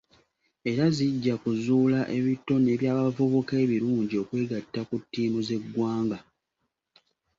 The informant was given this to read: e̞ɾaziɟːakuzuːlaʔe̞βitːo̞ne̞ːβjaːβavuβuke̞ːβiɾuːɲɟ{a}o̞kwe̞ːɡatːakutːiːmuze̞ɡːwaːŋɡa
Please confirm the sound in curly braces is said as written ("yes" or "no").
no